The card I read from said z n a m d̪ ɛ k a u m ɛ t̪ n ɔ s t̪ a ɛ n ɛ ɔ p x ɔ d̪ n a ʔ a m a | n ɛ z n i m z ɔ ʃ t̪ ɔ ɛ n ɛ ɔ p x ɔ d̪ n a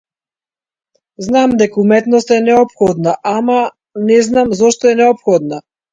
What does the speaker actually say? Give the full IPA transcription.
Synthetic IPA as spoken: z n a m d̪ ɛ k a u m ɛ t̪ n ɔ s t̪ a ɛ n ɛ ɔ p x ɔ d̪ n a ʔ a m a | n ɛ z n a m z ɔ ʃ t̪ ɔ ɛ n ɛ ɔ p x ɔ d̪ n a